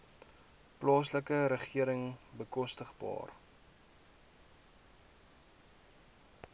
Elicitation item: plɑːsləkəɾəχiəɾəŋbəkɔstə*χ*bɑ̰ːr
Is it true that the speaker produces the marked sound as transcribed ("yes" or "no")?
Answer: yes